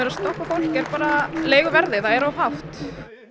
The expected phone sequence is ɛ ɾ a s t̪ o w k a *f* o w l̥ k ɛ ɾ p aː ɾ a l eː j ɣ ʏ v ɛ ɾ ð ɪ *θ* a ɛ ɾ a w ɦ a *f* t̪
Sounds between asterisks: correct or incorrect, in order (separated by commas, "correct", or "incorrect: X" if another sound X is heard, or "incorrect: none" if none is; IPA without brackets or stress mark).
correct, correct, correct